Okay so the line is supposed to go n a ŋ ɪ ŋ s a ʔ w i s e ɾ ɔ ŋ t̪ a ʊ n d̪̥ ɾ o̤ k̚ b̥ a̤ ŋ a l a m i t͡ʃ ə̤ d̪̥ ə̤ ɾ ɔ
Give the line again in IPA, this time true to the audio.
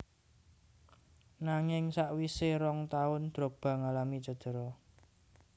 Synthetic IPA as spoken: n a ŋ ɪ ŋ s a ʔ w i s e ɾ ɔ ŋ t̪ a ʊ n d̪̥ ɾ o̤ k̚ b̥ a̤ ŋ a l a m i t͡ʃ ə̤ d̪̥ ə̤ ɾ ɔ

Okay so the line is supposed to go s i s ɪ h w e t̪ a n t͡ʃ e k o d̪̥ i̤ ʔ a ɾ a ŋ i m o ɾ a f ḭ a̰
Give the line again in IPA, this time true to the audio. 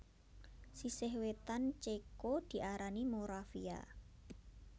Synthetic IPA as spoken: s i s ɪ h w e t̪ a n t͡ʃ e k o d̪̥ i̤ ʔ a ɾ a n i m o ɾ a f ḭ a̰

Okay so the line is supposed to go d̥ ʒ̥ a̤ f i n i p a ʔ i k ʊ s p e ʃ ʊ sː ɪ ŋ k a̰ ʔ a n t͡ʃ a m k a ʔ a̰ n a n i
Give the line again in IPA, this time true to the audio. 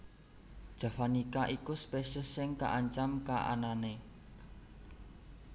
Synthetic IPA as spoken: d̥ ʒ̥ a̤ f a n i k a ʔ i k u s p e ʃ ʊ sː ɪ ŋ k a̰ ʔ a ɲ t͡ʃ a m k a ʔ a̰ n a n e

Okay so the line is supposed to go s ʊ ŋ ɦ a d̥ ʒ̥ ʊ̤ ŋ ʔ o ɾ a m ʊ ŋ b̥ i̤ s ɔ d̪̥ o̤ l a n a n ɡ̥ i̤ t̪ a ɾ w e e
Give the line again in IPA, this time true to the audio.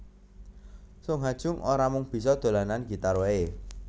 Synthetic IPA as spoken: s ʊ ŋ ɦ a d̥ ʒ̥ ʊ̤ ŋ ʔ o ɾ a m ʊ ŋ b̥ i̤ s ɔ d̪̥ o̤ l a n a n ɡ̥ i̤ t̪ a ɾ w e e

